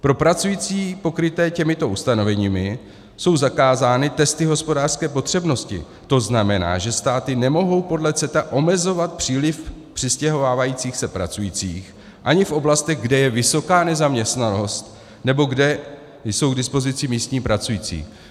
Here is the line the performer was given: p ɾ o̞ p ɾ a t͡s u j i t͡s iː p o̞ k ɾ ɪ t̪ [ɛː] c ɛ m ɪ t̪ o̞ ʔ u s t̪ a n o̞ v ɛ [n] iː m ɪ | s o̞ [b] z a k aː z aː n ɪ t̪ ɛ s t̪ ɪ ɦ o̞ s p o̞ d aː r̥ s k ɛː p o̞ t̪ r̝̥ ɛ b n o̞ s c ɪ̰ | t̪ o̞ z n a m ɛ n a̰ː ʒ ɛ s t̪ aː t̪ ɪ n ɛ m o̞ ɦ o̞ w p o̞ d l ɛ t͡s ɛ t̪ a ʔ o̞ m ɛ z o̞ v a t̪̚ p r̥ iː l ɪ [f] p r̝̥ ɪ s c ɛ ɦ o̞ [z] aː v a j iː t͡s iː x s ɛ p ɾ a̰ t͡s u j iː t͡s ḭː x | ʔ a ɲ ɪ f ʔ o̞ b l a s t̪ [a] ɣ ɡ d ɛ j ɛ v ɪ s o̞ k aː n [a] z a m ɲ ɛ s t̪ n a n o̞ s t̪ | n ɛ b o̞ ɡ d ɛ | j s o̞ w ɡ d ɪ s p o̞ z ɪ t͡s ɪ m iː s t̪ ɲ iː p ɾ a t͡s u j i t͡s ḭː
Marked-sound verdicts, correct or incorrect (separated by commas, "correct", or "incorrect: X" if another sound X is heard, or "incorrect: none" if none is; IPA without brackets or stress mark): correct, incorrect: ɲ, incorrect: w, correct, incorrect: v, incorrect: ɛ, incorrect: ɛ